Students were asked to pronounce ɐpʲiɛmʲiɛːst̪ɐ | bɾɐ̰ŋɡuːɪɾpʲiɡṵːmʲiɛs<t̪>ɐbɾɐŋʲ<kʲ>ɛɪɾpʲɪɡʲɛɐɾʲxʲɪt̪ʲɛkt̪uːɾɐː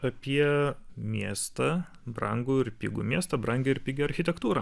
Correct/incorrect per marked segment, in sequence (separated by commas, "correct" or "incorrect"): correct, incorrect